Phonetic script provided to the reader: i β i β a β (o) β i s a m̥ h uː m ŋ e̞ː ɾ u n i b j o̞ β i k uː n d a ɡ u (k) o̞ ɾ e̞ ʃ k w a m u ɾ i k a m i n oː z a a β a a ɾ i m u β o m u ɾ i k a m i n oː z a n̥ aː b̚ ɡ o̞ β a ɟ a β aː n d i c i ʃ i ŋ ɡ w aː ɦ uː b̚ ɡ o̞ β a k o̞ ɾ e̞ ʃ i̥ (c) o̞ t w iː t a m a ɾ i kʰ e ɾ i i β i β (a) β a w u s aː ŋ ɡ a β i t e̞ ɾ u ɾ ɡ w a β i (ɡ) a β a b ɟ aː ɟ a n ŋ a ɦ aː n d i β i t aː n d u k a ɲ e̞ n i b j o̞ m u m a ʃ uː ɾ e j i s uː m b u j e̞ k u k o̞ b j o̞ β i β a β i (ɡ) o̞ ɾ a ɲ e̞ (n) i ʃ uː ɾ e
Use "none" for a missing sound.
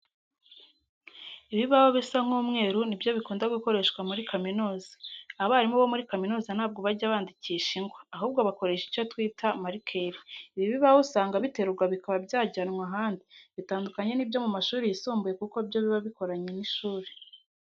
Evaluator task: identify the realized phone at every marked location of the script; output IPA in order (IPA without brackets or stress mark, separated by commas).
o, k, c, i, k, k, n